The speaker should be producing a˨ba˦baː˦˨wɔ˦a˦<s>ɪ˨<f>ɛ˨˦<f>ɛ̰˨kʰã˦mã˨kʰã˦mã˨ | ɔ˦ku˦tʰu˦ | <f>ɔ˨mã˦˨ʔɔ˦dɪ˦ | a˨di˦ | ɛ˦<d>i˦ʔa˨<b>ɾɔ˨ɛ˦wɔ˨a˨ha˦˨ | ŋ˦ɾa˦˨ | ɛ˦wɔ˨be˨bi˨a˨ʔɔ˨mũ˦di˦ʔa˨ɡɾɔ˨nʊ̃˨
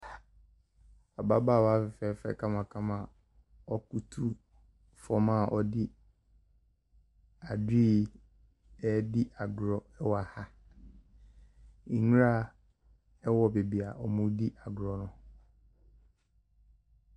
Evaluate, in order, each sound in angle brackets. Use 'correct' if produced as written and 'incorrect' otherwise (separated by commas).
incorrect, correct, correct, correct, correct, incorrect